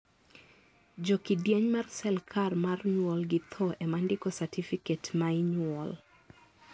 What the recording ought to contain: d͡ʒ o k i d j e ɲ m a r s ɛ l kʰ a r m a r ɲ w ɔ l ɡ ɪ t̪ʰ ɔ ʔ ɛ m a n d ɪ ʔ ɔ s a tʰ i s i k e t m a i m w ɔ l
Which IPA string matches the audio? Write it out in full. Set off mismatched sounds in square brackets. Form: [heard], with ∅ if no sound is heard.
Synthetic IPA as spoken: d͡ʒ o k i d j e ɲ m a r s ɛ l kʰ a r m a r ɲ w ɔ l ɡ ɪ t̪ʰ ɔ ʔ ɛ m a n d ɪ [k] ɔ s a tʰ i [f] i k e t m a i [ɲ] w ɔ l